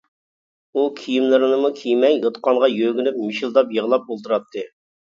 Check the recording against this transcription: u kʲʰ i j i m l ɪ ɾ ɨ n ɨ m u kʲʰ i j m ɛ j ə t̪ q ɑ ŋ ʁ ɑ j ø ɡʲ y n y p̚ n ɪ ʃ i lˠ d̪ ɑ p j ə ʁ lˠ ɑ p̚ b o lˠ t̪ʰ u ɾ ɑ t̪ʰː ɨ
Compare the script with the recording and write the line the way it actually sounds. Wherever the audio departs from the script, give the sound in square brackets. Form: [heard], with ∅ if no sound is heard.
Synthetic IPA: u kʲʰ i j i m l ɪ ɾ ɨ n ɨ m u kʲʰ i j m ɛ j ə t̪ q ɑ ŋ ʁ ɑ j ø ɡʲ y n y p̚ [m] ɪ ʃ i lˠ d̪ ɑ p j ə ʁ lˠ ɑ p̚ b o lˠ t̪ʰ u ɾ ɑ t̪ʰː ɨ